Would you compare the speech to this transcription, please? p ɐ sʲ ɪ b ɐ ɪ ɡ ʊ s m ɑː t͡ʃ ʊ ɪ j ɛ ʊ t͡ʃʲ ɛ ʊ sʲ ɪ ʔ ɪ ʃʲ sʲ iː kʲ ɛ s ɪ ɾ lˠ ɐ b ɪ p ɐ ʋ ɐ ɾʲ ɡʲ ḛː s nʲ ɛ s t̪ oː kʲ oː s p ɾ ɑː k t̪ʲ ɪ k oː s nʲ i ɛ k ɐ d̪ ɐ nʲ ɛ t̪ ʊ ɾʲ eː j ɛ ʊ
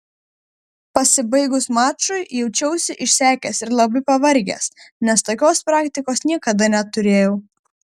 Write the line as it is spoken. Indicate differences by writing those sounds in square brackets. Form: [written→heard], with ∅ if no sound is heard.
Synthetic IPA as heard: p ɐ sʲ ɪ b ɐ ɪ ɡ ʊ s m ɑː t͡ʃ ʊ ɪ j ɛ ʊ t͡ʃʲ ɛ ʊ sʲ ɪ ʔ ɪ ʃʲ sʲ [iː→æː] kʲ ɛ s ɪ ɾ lˠ ɐ b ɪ p ɐ ʋ ɐ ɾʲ ɡʲ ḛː s nʲ ɛ s t̪ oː kʲ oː s p ɾ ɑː k t̪ʲ ɪ k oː s nʲ i ɛ k ɐ d̪ ɐ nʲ ɛ t̪ ʊ ɾʲ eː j ɛ ʊ